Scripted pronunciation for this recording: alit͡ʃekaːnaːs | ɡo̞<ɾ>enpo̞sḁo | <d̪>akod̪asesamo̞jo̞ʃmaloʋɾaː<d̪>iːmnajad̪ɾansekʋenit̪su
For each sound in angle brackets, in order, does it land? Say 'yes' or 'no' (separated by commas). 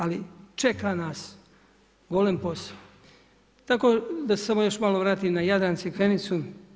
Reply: no, no, no